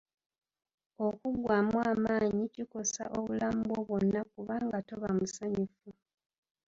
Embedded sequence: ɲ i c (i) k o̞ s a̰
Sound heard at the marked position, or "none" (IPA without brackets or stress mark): i